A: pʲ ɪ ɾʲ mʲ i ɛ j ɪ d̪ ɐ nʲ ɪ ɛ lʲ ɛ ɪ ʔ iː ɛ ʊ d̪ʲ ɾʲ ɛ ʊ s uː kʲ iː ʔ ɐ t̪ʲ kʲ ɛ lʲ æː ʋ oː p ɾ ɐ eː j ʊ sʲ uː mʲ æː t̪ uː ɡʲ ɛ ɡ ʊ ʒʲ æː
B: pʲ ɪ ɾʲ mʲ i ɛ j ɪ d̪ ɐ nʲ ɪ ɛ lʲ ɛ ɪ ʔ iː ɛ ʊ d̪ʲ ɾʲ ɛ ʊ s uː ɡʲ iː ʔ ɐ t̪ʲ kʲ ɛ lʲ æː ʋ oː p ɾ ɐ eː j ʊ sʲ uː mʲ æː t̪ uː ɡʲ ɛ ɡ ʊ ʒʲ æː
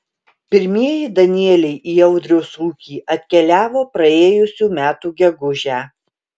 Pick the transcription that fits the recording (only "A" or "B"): A